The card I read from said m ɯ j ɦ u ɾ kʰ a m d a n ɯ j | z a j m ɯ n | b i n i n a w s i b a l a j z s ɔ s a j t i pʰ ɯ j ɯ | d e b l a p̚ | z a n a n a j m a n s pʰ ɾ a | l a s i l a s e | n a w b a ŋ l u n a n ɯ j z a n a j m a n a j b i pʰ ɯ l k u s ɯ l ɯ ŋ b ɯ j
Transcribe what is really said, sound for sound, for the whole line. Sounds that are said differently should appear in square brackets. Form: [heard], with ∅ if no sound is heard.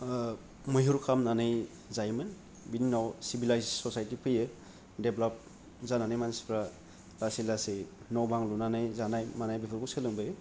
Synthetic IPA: m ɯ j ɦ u ɾ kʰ a m [n] a n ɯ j | z a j m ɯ n | b i n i n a w s i b [i] l a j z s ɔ s a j t i pʰ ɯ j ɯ | d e b l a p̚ | z a n a n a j m a n s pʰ ɾ a | l a s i l a s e | n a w b a ŋ l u n a n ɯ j z a n a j m a n a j b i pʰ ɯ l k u s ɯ l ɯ ŋ b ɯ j